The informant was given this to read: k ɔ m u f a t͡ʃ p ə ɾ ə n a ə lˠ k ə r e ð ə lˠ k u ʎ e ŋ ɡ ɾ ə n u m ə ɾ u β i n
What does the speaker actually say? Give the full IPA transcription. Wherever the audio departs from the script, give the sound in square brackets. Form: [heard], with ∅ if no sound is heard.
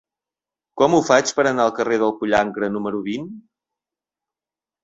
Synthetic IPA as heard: k ɔ m u f a t͡ʃ p ə ɾ ə n a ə lˠ k ə r e ð ə lˠ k u ʎ [a] ŋ ɡ ɾ ə n u m ə ɾ u β i n